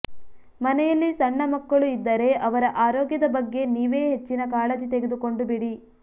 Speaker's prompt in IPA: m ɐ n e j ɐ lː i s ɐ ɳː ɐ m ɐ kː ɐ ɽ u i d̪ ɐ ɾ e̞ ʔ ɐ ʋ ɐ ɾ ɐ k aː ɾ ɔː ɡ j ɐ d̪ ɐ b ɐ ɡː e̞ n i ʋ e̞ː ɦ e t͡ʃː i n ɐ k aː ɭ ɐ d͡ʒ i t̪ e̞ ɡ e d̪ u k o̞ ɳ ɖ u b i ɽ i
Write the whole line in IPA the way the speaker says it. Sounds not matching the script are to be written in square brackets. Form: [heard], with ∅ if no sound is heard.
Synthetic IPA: m ɐ n [ɛ] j ɐ lː i s ɐ ɳː ɐ m ɐ kː ɐ [ɭ] u i [d̪ː] ɐ ɾ e̞ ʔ ɐ ʋ ɐ ɾ ɐ [ʔ] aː ɾ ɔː ɡ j ɐ d̪ ɐ b ɐ ɡː e̞ n [iː] ʋ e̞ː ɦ e t͡ʃː i n ɐ k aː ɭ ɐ d͡ʒ i t̪ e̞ ɡ e d̪ u k o̞ ɳ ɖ u b i ɽ i